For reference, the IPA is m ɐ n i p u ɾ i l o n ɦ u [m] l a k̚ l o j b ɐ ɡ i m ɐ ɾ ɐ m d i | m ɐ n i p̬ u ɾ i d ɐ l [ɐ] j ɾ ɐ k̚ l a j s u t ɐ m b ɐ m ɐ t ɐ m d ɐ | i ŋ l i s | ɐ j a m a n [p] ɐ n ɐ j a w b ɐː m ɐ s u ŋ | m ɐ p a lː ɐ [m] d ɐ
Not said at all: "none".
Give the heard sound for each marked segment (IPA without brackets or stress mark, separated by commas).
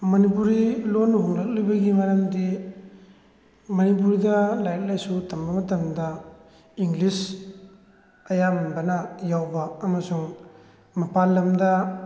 ŋ, a, b, m